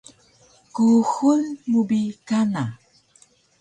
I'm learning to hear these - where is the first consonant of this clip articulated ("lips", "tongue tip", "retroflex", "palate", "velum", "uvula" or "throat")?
velum